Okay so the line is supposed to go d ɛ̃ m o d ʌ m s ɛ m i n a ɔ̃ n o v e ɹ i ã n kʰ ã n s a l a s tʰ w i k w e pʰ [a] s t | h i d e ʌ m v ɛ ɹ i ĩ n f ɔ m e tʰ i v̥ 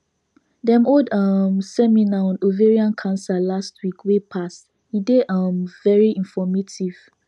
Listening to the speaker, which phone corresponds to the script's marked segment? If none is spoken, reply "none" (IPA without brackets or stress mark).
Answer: a